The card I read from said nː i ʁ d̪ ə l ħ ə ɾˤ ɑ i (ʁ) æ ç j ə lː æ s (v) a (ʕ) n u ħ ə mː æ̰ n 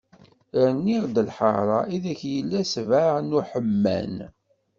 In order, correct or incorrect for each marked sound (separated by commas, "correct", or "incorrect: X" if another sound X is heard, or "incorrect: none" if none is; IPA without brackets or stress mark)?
incorrect: ð, correct, correct